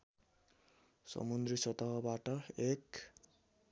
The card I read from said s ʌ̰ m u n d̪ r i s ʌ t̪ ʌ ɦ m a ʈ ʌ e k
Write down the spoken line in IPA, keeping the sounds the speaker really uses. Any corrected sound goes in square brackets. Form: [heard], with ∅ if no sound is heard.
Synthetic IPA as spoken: s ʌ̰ m u n d̪ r i s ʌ t̪ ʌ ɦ [b] a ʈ ʌ e k